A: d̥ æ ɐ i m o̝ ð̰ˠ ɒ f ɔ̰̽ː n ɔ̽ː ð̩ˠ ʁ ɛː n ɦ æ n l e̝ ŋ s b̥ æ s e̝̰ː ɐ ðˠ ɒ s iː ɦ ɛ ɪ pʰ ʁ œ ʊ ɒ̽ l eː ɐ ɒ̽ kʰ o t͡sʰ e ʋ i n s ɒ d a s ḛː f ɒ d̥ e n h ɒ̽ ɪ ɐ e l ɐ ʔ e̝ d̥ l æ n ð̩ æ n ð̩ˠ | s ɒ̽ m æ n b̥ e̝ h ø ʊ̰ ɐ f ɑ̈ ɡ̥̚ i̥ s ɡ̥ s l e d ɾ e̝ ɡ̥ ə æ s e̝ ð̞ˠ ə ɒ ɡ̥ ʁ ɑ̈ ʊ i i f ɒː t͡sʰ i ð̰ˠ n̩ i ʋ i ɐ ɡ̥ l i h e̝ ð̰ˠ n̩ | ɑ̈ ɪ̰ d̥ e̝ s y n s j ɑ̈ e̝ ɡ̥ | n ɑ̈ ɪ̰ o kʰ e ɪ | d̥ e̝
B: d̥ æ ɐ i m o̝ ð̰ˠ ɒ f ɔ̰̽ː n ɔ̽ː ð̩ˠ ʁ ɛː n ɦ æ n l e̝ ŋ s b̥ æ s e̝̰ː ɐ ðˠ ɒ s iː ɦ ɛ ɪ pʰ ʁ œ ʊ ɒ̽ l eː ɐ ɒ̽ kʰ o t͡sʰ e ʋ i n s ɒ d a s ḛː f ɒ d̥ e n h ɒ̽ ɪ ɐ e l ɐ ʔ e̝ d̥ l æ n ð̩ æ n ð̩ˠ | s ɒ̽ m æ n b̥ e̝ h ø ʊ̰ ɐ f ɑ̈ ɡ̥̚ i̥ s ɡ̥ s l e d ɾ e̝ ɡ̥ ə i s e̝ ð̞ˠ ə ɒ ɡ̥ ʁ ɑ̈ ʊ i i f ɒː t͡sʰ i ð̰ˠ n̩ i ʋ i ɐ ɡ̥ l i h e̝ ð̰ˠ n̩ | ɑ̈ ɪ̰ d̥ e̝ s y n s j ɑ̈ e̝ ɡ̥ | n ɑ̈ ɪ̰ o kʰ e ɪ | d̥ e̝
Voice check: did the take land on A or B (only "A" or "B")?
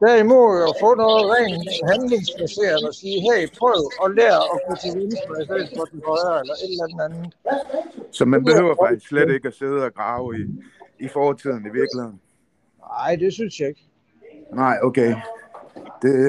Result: A